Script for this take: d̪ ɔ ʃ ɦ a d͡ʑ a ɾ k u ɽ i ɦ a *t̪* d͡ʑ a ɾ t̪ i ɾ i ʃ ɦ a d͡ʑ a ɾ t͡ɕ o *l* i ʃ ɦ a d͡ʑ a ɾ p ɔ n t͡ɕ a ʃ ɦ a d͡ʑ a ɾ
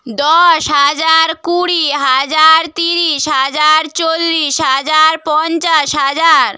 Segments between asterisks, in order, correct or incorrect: incorrect: none, incorrect: lː

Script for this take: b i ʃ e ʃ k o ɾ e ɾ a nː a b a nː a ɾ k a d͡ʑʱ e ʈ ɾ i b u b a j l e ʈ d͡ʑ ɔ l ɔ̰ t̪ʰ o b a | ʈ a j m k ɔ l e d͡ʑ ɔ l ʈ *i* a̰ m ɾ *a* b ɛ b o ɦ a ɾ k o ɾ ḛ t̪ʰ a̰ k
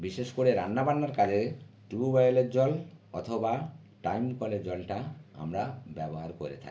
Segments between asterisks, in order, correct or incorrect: incorrect: a, correct

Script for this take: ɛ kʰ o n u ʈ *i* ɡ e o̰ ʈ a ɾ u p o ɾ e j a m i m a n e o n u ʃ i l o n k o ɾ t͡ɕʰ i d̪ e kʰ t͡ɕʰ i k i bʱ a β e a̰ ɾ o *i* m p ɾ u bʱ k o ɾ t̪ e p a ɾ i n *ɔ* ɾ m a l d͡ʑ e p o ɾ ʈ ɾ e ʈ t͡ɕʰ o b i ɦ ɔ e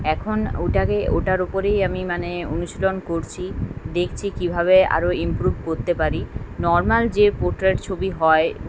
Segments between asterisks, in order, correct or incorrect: incorrect: a, correct, correct

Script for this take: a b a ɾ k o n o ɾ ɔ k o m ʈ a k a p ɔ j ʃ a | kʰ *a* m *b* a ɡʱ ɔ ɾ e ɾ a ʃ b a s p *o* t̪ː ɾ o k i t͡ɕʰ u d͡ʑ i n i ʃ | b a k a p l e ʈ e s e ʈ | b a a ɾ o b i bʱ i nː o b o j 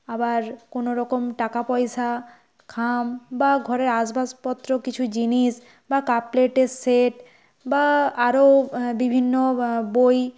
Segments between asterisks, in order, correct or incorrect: correct, correct, incorrect: ɔ

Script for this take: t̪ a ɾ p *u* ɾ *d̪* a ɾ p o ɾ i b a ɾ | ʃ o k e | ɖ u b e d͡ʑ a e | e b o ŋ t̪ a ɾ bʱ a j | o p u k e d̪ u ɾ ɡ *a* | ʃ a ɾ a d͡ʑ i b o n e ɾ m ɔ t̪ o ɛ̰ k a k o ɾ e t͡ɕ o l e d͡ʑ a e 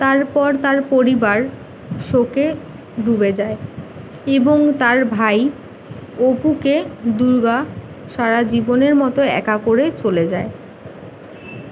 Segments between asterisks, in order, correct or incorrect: incorrect: ɔ, incorrect: t̪, correct

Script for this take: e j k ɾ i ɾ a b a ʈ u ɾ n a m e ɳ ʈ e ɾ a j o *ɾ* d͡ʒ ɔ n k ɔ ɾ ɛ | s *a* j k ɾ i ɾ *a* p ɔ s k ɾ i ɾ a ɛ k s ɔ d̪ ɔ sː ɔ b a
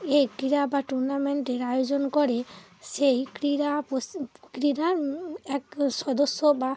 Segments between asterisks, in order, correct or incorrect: incorrect: none, incorrect: e, correct

